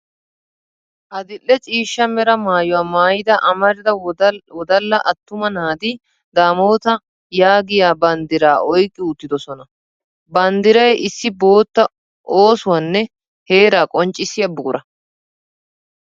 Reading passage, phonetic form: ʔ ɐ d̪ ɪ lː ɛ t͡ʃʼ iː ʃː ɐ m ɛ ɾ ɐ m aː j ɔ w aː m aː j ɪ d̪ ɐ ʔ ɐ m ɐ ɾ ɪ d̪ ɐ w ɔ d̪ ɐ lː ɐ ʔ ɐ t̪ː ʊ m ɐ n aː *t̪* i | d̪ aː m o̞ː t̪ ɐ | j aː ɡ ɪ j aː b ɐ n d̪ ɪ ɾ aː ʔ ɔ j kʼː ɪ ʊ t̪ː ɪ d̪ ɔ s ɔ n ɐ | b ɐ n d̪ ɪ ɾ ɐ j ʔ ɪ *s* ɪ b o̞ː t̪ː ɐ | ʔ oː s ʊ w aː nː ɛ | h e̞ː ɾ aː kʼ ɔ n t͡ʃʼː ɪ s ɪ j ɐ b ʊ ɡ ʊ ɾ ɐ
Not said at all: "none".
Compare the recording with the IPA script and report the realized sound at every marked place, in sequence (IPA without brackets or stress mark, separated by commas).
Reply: d̪, sː